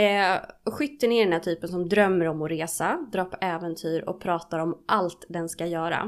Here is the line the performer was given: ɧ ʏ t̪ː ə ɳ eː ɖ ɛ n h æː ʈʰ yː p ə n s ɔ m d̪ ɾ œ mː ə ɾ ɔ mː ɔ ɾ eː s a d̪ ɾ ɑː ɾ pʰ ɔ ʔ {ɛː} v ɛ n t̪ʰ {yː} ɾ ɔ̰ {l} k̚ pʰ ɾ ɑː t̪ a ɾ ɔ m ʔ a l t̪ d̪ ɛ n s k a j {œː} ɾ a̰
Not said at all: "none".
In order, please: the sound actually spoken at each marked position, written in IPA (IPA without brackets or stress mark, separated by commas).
ɛː, yː, none, œː